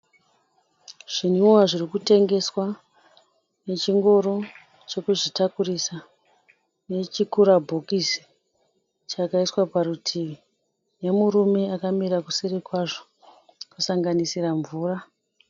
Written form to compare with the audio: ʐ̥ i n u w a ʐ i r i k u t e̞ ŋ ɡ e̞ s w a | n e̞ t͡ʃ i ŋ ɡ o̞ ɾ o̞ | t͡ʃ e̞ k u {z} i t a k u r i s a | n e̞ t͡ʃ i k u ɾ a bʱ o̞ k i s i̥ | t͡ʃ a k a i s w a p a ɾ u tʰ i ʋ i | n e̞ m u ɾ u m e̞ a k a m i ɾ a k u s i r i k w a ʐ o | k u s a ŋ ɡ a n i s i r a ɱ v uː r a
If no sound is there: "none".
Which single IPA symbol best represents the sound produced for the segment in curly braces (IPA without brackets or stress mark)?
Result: ʐ